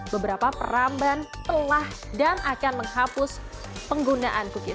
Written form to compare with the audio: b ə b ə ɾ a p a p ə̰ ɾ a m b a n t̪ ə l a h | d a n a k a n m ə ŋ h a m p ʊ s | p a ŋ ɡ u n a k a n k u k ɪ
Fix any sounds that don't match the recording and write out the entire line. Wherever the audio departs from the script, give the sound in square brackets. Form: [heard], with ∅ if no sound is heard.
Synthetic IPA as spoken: b ə b ə ɾ a p a p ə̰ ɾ a m b a n t̪ ə l a h | d a n a k a n m ə ŋ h a [∅] p ʊ s | p [ə] ŋ ɡ u n a [ʔ] a n k u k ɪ